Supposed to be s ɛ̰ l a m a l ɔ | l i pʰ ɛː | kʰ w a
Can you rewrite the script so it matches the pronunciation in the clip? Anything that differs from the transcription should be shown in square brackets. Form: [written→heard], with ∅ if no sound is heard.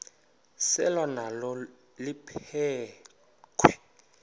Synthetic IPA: s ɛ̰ l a [m→n] a l ɔ | l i pʰ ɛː | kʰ w [a→ɛ]